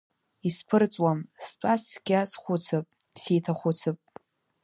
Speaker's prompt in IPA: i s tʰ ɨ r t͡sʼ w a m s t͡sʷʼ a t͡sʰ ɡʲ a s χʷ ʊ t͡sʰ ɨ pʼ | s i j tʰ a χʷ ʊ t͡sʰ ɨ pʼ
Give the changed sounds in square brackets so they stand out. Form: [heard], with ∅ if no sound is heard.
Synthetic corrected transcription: i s [pʰ] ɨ r t͡sʼ w a m s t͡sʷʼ a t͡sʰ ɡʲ a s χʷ ʊ t͡sʰ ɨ pʼ | s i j tʰ a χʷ ʊ t͡sʰ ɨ pʼ